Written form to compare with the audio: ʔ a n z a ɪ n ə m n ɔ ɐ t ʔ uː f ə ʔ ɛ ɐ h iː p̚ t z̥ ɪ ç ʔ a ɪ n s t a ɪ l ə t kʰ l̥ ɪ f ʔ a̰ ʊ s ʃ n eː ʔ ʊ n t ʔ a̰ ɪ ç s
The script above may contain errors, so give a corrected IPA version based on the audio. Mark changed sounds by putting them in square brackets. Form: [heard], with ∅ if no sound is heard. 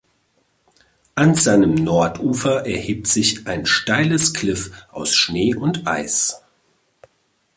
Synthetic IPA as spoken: ʔ a n z a ɪ n ə m n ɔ ɐ t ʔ uː f [ɐ] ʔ ɛ ɐ h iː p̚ t z̥ ɪ ç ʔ a ɪ n [ʃ] t a ɪ l ə [s] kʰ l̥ ɪ f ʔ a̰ ʊ s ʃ n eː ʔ ʊ n t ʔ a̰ ɪ [∅] s